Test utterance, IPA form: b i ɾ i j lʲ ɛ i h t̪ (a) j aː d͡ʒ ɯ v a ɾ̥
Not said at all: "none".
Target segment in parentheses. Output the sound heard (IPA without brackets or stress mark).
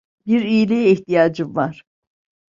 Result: i